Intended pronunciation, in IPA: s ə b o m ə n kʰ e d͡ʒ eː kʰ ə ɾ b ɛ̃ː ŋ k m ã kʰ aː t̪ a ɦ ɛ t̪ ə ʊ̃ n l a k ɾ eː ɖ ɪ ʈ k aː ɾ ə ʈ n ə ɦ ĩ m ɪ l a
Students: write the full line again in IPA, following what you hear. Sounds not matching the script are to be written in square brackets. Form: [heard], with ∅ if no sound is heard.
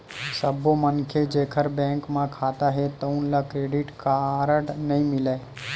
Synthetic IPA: s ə b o m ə n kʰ e d͡ʒ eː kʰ ə ɾ b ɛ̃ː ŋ k m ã kʰ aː t̪ a ɦ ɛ t̪ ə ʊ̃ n l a k ɾ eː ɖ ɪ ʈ k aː ɾ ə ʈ n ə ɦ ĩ m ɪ l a